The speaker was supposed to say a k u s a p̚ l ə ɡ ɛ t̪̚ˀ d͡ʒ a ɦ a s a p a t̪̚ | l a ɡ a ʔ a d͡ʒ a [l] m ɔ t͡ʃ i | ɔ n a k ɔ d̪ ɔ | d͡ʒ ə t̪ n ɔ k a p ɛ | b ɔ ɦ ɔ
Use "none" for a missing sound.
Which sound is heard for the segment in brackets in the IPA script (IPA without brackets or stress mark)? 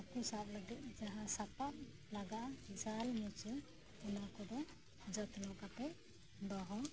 l